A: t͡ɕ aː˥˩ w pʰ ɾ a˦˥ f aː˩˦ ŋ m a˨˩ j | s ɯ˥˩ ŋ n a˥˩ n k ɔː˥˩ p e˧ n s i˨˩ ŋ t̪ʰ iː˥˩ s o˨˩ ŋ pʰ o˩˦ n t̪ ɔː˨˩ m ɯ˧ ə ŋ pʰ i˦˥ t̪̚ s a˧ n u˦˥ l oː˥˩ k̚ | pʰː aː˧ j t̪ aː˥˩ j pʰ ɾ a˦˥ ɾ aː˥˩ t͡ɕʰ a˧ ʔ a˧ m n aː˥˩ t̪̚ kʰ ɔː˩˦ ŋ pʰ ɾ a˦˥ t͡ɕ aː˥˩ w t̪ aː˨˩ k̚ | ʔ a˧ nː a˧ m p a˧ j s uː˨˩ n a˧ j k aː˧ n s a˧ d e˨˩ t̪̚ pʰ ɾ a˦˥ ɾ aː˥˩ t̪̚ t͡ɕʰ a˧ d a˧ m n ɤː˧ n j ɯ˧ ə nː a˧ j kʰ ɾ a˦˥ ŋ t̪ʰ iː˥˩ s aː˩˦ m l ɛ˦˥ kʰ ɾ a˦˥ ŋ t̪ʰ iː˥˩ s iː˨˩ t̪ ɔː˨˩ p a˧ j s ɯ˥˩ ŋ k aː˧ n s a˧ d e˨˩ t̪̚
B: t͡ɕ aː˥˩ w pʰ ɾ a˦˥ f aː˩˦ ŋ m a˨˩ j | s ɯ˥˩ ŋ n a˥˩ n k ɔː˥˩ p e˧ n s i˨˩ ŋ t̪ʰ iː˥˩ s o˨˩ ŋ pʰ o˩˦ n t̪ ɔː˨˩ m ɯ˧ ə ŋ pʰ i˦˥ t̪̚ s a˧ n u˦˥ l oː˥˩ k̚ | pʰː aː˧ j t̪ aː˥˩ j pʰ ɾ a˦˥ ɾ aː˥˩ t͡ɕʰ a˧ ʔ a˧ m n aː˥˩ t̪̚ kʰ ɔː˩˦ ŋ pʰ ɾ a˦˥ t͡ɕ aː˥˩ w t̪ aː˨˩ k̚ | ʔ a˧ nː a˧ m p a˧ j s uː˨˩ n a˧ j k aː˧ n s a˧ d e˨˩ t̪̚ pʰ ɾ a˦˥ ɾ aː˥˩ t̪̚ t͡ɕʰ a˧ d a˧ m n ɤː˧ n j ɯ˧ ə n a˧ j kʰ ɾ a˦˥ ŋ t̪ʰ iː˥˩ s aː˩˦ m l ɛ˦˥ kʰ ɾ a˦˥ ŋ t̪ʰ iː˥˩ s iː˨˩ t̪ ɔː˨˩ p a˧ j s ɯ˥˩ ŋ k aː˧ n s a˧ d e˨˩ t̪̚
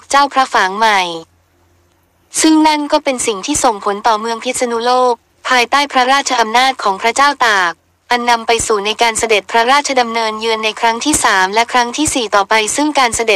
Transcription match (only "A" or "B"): A